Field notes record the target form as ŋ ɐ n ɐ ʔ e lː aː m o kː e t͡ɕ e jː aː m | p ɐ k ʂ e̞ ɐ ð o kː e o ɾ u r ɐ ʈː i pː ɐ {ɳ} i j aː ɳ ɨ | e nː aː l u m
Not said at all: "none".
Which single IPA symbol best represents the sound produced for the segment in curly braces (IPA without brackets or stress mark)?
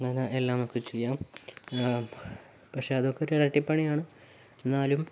ɳ